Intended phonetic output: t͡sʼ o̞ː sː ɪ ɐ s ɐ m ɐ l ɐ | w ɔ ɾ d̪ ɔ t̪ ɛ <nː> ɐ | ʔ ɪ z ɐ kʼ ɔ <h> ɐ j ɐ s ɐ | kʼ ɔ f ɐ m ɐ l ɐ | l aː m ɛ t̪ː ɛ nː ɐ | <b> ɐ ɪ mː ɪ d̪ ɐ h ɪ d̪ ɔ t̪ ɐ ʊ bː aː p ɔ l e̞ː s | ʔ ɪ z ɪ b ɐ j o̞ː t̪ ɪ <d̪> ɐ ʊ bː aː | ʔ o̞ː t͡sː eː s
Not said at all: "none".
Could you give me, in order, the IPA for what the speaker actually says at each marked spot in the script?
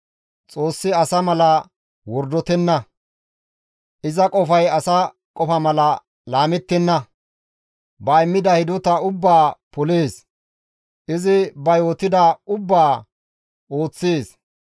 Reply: nː, f, b, d̪

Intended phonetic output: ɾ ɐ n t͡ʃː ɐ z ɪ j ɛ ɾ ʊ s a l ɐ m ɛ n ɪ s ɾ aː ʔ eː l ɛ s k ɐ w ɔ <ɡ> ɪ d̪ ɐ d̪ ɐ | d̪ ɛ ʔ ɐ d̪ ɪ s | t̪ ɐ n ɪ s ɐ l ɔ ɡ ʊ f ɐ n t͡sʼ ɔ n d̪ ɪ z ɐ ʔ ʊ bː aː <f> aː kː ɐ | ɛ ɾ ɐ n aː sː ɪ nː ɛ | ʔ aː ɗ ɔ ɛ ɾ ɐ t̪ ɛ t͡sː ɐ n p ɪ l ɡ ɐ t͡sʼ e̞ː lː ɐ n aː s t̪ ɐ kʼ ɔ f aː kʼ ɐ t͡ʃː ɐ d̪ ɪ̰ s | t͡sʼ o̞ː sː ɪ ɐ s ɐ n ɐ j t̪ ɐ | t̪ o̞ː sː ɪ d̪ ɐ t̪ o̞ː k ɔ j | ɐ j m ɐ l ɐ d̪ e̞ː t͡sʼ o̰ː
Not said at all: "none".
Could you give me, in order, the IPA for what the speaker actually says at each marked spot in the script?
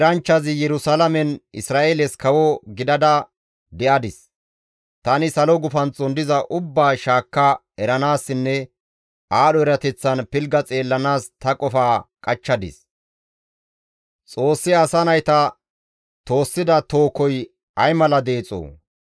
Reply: ɡ, ʃ

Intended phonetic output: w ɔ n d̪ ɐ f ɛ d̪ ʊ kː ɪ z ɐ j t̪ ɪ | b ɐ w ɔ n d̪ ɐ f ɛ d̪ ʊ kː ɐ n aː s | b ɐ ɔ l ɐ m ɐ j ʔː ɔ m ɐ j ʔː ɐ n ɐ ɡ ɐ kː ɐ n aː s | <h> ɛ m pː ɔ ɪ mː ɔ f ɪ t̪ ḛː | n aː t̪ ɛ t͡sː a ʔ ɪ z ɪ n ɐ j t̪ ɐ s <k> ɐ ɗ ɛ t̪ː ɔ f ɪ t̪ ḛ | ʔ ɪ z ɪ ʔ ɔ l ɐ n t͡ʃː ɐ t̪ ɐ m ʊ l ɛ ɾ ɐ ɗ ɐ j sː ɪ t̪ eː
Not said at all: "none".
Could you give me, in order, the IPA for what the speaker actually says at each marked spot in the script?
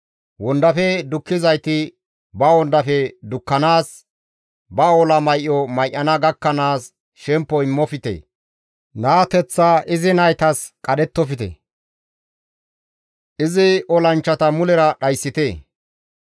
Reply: ʃ, kʼ

